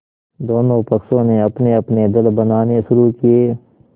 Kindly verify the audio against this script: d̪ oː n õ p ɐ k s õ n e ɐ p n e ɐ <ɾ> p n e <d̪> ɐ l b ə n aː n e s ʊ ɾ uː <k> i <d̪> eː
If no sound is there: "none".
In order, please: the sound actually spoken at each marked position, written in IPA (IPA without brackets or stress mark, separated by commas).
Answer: none, d̪, k, none